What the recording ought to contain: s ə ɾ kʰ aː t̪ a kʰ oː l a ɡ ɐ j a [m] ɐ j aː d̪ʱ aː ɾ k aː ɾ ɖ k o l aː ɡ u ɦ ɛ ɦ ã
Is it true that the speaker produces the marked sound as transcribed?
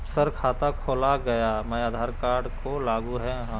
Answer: yes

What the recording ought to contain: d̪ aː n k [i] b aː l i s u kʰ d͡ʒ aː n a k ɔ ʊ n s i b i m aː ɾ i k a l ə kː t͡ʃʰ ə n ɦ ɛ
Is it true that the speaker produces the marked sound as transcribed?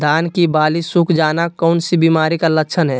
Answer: yes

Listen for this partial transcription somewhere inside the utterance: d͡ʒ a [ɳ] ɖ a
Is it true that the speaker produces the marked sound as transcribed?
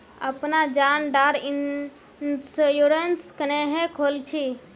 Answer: no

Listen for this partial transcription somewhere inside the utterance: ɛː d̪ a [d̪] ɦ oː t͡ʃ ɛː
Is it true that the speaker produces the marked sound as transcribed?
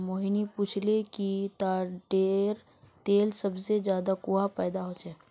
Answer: no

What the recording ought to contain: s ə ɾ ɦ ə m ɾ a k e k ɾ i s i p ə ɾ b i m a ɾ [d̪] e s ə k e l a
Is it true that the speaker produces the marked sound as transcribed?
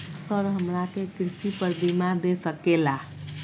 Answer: yes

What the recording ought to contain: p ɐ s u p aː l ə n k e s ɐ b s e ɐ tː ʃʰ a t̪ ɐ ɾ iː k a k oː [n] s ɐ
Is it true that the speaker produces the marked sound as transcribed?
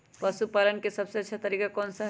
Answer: yes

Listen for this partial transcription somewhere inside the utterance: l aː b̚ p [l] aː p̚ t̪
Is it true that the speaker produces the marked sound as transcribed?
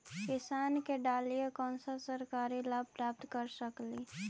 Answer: no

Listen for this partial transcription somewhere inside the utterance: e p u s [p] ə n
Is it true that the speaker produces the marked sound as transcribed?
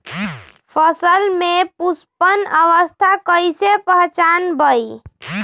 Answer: yes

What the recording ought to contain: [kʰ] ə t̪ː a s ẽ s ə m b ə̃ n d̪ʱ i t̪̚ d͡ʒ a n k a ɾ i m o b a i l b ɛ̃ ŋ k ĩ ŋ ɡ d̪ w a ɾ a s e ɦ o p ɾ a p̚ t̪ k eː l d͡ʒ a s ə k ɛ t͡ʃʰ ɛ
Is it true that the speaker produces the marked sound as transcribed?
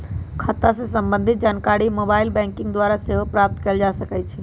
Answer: yes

